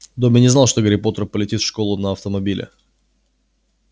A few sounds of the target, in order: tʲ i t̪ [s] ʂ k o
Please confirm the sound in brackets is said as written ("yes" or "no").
no